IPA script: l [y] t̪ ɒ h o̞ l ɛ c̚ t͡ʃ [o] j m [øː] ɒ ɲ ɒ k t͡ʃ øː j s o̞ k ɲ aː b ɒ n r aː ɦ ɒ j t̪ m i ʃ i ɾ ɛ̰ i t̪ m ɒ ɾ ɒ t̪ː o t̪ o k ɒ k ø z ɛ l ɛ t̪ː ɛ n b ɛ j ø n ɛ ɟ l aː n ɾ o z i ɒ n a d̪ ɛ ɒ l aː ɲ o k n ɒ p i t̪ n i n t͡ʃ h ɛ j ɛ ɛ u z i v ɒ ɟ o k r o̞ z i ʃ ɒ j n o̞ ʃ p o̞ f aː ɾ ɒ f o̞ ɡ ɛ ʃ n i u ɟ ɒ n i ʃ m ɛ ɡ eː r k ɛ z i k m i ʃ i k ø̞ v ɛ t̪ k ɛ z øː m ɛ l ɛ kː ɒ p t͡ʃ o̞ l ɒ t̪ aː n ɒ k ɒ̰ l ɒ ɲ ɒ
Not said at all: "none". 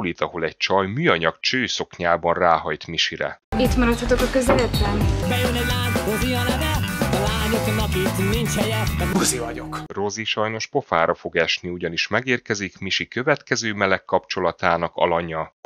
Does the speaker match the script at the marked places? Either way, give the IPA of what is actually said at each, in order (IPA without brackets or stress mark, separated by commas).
i, ɒ, yː